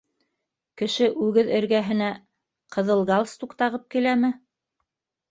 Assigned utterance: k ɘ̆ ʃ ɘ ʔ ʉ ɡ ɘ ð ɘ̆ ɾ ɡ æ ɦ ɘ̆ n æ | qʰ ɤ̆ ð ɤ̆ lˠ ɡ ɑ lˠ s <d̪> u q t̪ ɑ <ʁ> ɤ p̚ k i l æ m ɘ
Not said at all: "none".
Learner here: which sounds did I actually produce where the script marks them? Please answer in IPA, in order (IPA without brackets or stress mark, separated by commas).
t̪, ʁ